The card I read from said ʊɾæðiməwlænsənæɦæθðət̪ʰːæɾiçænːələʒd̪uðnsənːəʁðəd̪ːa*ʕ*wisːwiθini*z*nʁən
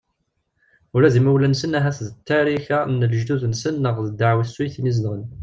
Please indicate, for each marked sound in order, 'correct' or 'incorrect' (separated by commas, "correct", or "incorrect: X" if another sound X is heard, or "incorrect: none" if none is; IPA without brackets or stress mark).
correct, correct